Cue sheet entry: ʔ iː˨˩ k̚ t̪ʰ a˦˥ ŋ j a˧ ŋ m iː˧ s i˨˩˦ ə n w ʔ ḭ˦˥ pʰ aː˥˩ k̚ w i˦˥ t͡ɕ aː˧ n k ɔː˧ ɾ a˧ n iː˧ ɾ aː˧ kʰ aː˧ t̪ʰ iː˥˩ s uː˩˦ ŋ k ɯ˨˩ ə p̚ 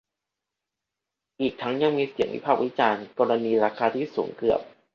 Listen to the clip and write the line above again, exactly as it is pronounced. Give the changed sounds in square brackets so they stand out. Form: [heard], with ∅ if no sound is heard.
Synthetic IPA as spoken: ʔ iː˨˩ k̚ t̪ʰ a˦˥ ŋ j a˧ ŋ m iː˧ s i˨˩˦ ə [ŋ] w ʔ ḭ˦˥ pʰ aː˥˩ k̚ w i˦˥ t͡ɕ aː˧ n k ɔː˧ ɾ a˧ n iː˧ ɾ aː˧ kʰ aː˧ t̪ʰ iː˥˩ s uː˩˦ ŋ k ɯ˨˩ ə p̚